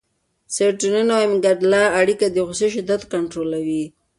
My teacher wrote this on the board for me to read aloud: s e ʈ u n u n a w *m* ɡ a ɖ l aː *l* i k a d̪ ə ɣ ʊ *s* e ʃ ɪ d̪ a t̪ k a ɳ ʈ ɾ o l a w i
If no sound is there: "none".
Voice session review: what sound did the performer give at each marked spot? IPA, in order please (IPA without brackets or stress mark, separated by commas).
m, ɽ, s